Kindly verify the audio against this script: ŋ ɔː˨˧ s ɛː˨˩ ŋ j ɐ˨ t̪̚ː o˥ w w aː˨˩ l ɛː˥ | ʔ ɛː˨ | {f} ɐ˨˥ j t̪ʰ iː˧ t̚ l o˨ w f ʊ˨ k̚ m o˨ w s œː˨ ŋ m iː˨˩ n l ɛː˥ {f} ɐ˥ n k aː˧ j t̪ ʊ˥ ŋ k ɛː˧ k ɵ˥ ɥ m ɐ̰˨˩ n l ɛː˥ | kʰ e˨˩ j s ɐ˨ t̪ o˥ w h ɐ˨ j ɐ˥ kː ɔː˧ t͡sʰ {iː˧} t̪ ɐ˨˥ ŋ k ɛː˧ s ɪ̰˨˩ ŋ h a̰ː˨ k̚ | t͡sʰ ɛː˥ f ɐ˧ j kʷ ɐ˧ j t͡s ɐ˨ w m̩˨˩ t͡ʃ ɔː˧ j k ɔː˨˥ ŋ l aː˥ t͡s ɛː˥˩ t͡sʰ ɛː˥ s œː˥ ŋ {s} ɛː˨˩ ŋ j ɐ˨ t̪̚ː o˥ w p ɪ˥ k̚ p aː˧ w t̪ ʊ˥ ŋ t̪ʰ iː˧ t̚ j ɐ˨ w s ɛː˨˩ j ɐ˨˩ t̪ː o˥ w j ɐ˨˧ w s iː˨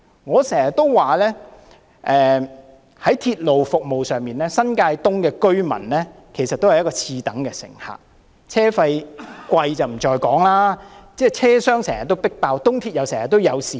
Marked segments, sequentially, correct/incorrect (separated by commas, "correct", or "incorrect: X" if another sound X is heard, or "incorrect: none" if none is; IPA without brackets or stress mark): incorrect: h, incorrect: s, correct, correct